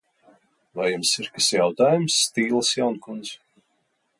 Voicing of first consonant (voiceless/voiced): voiced